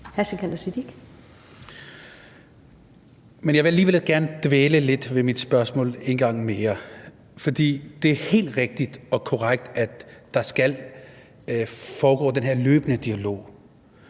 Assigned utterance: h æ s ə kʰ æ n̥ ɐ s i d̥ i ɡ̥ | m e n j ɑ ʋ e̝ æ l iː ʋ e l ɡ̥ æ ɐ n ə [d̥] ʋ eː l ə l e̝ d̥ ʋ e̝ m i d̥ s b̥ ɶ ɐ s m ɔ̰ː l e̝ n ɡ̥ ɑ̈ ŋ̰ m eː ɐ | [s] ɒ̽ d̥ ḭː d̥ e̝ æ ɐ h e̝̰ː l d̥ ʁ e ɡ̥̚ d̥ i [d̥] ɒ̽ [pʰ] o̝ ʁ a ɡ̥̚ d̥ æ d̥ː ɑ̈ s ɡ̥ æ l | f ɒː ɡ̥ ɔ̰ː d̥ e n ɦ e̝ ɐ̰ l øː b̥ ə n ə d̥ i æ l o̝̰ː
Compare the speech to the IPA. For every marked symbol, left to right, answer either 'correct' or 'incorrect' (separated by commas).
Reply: correct, incorrect, correct, incorrect